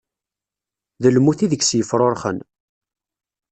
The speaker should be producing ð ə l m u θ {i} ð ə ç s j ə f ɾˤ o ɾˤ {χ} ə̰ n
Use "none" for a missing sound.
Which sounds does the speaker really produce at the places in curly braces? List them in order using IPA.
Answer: i, χ

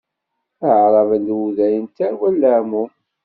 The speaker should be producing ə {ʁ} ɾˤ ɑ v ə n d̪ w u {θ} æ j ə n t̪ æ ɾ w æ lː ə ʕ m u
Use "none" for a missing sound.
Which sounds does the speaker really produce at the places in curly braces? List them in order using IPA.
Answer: ʕ, ð

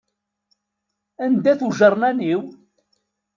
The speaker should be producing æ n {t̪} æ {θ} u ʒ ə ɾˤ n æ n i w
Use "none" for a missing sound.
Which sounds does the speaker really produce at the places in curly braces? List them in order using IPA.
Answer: d̪, θ

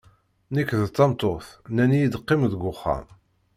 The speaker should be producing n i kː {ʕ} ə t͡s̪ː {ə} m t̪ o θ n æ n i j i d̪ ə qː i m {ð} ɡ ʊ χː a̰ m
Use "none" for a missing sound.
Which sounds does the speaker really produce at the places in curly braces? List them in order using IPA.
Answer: ð, ɑ, ð

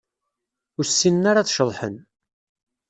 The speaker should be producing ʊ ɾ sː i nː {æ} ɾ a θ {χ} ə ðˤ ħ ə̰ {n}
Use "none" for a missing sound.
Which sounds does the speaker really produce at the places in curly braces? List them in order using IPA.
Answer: a, ʃ, n

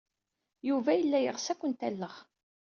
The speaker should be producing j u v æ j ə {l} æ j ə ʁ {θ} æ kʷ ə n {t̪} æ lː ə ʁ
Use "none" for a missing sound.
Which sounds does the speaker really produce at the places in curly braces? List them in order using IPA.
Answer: lː, s, t̪

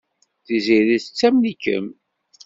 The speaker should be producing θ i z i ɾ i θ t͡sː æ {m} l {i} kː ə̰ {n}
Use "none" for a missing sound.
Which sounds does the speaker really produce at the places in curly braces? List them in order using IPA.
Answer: m, i, m

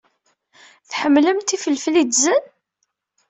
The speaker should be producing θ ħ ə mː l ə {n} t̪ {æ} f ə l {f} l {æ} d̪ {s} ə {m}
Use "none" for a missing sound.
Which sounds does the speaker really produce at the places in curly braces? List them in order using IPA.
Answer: m, i, f, i, z, n

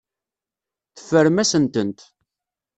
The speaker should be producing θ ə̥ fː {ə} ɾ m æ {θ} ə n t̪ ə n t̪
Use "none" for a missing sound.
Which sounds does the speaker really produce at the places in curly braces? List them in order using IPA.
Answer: ə, s

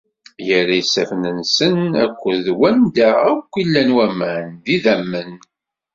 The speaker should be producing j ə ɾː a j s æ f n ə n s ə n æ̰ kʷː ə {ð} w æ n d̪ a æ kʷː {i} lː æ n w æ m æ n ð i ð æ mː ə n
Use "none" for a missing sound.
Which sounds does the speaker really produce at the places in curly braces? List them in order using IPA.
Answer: ð, i

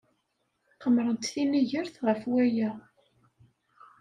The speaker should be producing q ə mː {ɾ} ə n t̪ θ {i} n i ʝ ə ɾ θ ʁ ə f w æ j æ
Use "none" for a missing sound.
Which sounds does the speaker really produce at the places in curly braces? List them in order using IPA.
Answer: ɾ, i

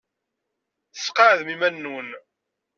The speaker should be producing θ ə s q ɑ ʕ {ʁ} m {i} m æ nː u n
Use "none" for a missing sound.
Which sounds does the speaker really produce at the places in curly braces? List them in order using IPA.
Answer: ð, i

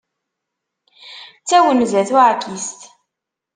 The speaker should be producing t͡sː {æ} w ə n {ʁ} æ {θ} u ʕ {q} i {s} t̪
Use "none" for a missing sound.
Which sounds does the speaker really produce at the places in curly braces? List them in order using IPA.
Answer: æ, z, θ, k, s

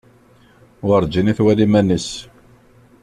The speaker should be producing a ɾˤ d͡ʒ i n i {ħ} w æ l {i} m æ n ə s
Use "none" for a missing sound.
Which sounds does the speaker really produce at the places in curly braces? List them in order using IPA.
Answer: θ, i

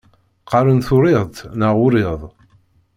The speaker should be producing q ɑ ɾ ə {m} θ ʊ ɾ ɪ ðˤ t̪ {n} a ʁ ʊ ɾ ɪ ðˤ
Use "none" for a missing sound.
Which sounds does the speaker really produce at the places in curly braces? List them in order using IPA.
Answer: n, n

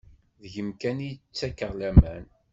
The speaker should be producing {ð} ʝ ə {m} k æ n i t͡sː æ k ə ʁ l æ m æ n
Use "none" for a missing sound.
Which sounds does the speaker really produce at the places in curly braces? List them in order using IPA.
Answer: ð, m

